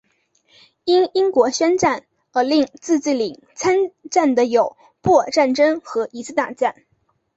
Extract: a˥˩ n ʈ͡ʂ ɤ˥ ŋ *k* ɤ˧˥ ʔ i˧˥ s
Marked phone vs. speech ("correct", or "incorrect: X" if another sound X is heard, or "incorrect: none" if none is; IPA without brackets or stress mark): incorrect: x